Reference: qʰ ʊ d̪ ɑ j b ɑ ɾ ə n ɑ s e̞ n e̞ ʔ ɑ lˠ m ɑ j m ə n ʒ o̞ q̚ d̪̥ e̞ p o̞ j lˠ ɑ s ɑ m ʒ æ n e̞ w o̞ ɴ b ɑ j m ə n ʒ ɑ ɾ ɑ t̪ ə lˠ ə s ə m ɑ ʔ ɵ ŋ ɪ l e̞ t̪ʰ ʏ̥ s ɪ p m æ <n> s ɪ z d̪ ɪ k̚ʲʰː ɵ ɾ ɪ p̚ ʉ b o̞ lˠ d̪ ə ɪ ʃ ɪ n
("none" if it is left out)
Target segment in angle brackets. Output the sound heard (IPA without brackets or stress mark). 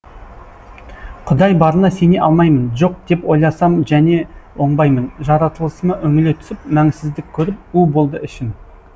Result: ŋ